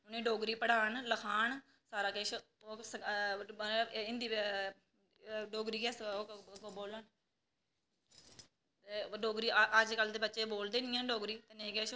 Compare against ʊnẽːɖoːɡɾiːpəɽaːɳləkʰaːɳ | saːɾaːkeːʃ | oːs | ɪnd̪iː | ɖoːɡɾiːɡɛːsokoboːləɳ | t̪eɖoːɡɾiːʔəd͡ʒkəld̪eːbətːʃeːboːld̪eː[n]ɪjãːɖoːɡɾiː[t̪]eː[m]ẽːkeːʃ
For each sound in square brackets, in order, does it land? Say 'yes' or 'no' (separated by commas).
yes, yes, no